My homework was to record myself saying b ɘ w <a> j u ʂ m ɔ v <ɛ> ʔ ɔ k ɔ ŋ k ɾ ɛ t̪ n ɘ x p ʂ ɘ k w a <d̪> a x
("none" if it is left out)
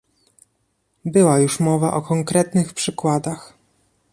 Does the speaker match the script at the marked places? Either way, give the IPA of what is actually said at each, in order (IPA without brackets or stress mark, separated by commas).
a, a, d̪